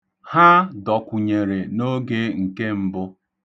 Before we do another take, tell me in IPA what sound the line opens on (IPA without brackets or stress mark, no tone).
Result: h